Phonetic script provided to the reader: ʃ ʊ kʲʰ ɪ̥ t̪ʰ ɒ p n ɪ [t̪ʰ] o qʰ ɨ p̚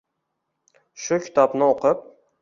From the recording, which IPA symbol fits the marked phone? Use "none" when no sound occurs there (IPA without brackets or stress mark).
none